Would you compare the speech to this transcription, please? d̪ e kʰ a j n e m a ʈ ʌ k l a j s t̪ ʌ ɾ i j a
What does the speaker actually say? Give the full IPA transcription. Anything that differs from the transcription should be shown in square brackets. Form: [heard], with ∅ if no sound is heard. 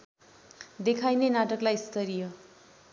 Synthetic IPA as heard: d̪ e kʰ a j n e [n] a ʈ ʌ k l a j s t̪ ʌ ɾ i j [ʌ]